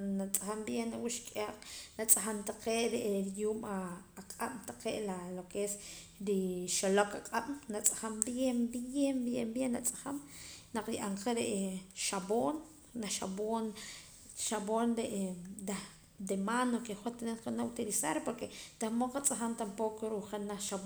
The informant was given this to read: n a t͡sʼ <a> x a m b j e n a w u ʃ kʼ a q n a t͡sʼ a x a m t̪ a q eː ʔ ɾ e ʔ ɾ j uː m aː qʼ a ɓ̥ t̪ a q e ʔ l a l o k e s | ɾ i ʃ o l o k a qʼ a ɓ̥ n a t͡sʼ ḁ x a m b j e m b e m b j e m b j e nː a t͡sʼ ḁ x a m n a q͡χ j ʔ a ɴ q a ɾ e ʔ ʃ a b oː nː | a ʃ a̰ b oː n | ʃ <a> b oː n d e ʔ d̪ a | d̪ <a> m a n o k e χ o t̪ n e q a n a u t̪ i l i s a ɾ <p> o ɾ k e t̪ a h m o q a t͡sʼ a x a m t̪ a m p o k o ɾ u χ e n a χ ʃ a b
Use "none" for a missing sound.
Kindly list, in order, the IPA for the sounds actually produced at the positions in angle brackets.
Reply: a, a, e, p

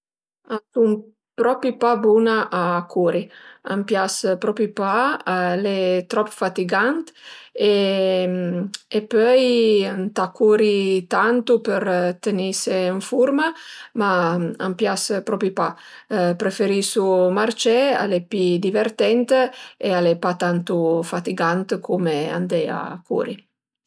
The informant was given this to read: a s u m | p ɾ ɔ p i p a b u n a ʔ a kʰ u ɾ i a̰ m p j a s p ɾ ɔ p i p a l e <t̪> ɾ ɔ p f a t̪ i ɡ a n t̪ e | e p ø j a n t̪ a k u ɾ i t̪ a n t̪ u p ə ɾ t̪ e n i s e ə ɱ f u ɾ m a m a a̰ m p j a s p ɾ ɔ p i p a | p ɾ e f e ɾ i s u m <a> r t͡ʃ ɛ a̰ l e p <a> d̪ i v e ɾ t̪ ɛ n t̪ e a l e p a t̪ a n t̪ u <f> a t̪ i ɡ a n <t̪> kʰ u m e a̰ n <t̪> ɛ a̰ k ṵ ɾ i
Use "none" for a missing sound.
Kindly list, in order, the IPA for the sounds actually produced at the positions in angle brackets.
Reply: t̪, a, i, f, t̪, d̪

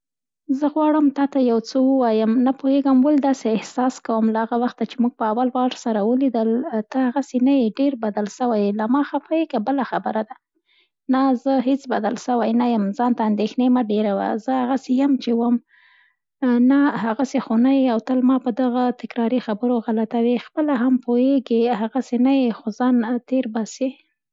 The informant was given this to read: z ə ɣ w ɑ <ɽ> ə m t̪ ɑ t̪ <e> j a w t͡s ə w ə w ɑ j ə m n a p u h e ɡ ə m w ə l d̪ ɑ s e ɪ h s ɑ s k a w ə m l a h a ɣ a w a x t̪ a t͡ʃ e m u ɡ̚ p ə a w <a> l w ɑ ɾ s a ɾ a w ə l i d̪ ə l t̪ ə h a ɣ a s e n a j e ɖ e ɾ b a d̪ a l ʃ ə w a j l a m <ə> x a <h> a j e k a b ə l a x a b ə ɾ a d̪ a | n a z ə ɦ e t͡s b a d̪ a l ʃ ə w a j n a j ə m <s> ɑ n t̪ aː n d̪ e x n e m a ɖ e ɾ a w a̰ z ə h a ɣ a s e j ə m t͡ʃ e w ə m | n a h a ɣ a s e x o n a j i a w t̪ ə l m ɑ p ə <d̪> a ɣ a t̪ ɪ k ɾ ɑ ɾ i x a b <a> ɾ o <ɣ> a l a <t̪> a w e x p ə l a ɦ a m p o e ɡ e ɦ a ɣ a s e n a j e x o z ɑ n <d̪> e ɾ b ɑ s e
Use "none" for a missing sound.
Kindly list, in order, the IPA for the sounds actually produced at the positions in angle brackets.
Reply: ɽ, a, a, ɑ, f, z, d̪, ə, ɣ, t̪, t̪

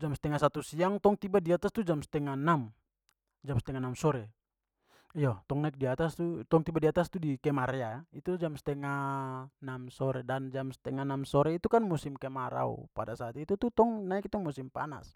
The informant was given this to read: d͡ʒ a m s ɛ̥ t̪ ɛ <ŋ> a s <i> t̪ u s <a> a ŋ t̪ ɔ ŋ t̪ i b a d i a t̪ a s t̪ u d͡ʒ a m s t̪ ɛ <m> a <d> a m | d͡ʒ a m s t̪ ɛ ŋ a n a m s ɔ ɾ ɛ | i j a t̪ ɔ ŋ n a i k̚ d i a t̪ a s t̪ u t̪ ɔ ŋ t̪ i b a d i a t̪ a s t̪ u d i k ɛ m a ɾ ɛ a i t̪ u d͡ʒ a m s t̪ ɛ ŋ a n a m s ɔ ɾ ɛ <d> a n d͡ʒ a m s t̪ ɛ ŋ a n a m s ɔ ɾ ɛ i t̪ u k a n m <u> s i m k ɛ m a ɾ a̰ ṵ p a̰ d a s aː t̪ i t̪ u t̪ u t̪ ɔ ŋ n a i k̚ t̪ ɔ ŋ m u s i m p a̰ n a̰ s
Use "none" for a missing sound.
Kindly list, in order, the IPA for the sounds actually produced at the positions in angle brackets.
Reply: ŋ, a, i, ŋ, n, d, u

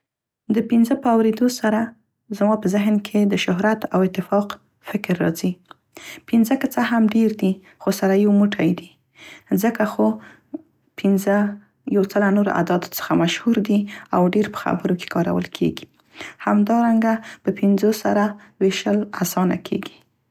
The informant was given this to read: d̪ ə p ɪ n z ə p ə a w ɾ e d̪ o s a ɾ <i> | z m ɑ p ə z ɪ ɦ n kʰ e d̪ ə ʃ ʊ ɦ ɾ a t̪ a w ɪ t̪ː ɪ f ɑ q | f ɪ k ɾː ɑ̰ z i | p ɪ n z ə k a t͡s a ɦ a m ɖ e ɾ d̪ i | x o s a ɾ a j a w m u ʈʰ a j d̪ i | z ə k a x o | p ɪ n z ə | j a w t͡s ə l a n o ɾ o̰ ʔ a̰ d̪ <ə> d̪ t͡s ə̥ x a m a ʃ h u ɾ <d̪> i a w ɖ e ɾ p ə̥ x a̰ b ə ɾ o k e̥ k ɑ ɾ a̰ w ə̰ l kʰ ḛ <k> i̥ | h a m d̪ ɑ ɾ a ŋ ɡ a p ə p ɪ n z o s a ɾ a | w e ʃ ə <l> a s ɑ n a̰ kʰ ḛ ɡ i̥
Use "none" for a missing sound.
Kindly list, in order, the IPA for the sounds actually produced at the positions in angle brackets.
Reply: a, ɑ, d̪, ɡ, l

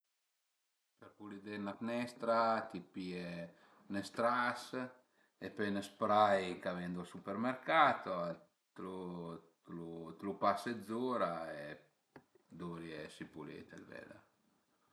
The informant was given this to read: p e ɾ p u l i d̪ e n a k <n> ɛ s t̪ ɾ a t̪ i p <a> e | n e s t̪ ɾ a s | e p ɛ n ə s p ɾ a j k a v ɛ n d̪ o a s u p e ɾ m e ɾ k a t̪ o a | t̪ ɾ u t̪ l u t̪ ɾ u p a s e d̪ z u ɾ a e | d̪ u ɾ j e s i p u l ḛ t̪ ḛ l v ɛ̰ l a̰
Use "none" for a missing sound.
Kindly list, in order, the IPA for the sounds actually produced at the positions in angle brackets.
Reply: n, i

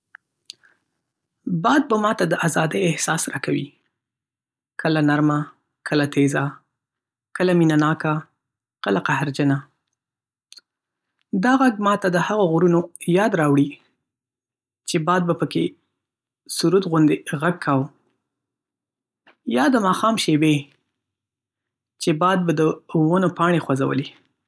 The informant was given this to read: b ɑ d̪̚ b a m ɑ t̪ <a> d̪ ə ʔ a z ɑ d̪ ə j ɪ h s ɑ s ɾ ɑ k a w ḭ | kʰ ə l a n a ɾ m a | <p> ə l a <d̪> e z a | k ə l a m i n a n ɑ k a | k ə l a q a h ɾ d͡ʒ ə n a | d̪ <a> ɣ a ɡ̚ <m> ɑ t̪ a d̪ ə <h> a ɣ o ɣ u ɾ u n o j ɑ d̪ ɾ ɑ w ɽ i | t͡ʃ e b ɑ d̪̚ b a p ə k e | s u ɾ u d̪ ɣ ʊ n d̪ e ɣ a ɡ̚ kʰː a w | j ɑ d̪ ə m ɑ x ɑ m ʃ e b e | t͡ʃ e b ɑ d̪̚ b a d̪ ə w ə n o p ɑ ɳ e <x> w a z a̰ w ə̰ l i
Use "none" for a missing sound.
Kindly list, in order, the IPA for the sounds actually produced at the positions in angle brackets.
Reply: a, k, t̪, ɑ, m, h, x

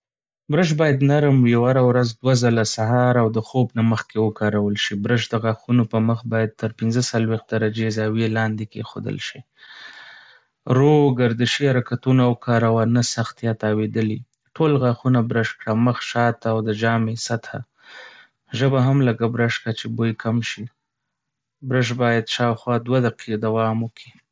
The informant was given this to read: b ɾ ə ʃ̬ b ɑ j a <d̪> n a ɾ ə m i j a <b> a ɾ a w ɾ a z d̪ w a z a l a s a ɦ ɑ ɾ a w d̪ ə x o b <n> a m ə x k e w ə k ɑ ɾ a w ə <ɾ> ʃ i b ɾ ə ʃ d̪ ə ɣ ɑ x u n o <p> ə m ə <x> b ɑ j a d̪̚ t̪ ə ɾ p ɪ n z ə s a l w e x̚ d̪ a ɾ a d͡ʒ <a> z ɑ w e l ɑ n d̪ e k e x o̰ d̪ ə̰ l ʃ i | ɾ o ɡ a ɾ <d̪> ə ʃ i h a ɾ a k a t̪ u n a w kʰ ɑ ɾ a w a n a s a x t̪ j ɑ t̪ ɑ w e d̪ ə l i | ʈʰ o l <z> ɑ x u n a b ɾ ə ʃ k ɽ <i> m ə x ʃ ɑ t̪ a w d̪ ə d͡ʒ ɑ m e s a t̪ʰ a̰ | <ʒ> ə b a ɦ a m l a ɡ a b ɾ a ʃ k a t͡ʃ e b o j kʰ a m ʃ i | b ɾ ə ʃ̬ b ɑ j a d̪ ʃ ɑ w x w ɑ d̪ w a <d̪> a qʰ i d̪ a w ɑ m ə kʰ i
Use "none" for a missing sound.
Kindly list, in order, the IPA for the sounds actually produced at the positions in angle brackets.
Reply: d̪, w, n, l, p, x, e, d̪, ɣ, a, ʒ, d̪

